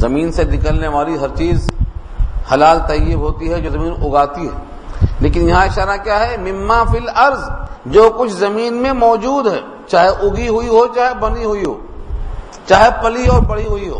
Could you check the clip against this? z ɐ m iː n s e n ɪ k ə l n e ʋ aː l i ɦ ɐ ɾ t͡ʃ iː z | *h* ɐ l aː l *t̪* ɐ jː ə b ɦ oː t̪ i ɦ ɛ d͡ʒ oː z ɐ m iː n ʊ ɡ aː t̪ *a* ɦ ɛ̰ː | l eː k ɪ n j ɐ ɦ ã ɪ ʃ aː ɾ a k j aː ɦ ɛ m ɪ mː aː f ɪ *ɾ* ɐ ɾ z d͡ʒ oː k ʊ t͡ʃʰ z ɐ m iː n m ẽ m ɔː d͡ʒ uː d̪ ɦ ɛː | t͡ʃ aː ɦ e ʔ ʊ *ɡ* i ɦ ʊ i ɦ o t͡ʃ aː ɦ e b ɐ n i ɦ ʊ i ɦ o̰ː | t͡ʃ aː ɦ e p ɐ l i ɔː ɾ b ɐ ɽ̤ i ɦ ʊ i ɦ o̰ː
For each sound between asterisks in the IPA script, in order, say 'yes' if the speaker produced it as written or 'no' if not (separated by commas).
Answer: yes, yes, no, no, yes